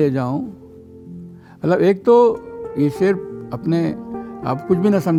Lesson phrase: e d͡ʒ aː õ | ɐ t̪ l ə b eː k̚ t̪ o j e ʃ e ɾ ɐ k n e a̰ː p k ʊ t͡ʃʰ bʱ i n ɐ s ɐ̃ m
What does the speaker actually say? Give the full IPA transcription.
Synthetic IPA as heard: e d͡ʒ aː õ | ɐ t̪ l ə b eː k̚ t̪ o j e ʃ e ɾ ɐ p n e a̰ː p k ʊ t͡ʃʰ bʱ i n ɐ s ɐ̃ m